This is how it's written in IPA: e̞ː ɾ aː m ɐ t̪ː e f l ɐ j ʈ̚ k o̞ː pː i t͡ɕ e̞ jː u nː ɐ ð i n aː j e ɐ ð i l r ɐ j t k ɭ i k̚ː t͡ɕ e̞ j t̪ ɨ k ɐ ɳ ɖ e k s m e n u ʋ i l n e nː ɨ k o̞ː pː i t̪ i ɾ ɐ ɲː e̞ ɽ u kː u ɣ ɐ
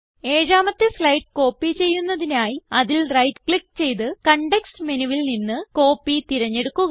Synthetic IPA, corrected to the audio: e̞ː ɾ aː m ɐ t̪ː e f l ɐ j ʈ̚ k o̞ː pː i t͡ɕ e̞ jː u nː ɐ ð i n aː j i ɐ ð i l r ɐ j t k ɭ i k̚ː t͡ɕ e̞ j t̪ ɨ k ɐ ɳ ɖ e k s m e n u ʋ i l n i nː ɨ k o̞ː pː i t̪ i ɾ ɐ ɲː e̞ ɽ u kː u ɣ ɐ

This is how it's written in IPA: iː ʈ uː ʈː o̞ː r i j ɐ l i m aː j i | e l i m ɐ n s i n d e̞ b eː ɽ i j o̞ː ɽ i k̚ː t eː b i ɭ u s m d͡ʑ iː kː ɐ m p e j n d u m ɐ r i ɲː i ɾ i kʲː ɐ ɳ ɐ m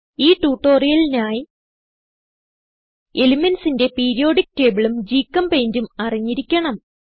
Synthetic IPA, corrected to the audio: iː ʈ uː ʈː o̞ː r i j ɐ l i n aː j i | e l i m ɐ n s i n d e̞ p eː ɾ i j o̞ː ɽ i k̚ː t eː b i ɭ u m d͡ʑ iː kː ɐ m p e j n d u m ɐ r i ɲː i ɾ i kʲː ɐ ɳ ɐ m

